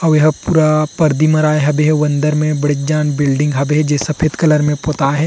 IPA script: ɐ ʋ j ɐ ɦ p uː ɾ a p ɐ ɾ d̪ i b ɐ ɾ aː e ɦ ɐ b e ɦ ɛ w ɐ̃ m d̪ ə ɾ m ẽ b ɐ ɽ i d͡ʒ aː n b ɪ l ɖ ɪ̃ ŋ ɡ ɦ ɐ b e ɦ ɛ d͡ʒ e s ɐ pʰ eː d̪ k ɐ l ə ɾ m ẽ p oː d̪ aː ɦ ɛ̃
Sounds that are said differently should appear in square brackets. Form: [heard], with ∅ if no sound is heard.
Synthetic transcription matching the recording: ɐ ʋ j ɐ ɦ p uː ɾ a p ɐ ɾ d̪ i [m] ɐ ɾ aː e ɦ ɐ b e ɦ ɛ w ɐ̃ [n] d̪ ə ɾ m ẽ b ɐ ɽ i d͡ʒ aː n b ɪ l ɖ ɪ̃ ŋ ɡ ɦ ɐ b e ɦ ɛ d͡ʒ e s ɐ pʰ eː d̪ k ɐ l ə ɾ m ẽ p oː [t̪] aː ɦ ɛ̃